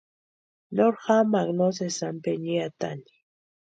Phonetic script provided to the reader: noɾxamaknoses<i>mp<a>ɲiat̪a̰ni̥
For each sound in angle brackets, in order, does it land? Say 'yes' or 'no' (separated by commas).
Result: no, no